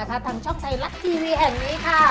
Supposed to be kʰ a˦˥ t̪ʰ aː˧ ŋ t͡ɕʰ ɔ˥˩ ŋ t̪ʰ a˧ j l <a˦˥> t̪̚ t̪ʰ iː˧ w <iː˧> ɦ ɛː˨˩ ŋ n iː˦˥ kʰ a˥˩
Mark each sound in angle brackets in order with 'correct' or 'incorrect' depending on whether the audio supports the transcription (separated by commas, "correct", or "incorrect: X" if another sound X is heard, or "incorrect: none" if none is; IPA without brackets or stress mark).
correct, correct